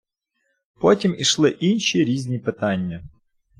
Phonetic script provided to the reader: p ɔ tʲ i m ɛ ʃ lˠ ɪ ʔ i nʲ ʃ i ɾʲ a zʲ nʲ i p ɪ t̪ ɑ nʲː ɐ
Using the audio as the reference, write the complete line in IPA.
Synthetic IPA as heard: p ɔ tʲ i m i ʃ lˠ ɪ ʔ i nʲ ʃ i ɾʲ i zʲ nʲ i p ɪ t̪ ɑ nʲː ɐ